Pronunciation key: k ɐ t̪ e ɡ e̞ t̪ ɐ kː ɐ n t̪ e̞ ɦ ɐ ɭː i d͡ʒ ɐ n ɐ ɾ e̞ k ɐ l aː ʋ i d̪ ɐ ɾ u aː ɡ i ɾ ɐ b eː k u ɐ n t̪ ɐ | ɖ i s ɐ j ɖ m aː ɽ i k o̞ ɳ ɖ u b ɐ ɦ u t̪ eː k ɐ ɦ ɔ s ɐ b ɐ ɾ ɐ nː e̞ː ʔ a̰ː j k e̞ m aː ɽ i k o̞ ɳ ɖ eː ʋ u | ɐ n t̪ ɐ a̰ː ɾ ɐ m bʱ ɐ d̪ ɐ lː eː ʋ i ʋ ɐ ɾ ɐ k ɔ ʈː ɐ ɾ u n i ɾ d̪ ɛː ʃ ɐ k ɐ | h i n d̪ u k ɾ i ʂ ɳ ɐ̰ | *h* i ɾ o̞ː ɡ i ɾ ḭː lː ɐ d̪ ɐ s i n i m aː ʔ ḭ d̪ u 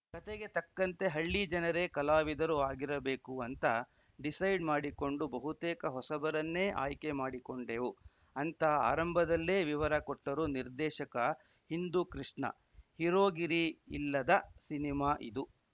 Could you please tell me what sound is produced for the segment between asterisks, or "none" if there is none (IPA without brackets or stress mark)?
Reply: h